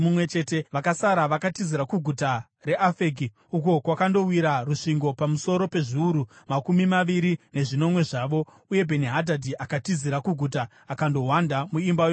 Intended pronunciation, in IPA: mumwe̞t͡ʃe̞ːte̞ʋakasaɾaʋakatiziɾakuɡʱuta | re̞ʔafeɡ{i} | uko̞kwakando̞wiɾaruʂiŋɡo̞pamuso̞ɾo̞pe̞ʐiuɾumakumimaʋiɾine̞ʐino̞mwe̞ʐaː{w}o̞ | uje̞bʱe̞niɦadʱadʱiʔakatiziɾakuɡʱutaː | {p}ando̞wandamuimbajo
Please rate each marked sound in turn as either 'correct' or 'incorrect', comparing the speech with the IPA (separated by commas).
correct, incorrect, incorrect